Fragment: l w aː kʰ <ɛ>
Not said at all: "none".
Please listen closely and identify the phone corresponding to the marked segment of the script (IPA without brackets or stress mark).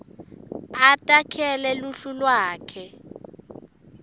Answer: ɛ